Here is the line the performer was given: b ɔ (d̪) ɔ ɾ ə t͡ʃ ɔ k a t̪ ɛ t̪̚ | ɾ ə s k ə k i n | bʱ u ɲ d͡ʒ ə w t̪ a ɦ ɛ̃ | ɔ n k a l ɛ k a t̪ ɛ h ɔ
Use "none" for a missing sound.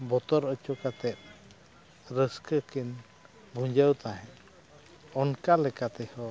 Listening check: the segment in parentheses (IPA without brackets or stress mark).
t̪